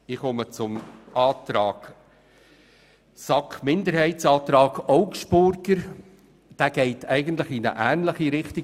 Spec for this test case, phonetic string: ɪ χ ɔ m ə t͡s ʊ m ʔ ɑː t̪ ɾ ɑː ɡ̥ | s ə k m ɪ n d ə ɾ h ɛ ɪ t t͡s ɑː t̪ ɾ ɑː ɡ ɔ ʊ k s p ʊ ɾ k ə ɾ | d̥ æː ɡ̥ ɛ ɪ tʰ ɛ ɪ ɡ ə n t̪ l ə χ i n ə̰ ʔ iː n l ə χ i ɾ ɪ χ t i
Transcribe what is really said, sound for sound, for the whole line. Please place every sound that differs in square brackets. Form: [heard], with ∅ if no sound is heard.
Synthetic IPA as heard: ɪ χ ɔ m ə t͡s ʊ m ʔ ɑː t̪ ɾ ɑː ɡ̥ | s [ɑ] k m ɪ n d ə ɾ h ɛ ɪ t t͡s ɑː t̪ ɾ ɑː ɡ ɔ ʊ k [ʃ] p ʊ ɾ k ə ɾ | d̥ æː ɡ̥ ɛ ɪ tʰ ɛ ɪ ɡ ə n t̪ l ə χ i n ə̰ ʔ [æː] n l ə χ i ɾ ɪ χ t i